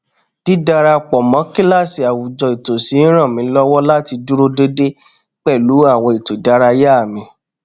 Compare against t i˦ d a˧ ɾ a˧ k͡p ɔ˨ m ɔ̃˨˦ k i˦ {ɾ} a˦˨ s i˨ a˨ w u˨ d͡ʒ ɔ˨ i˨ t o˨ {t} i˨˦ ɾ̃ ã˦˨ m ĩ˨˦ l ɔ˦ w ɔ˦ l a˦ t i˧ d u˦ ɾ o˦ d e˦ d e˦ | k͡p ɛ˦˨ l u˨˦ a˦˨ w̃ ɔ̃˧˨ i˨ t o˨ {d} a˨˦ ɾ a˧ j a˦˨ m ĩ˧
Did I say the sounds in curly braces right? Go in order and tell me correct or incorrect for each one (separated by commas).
incorrect, incorrect, correct